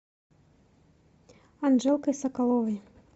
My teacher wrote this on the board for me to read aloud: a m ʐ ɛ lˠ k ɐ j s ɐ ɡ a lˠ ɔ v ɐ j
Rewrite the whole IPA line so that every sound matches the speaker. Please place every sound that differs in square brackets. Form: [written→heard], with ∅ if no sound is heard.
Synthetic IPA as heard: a [m→n] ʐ ɛ lˠ k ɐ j s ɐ [ɡ→k] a lˠ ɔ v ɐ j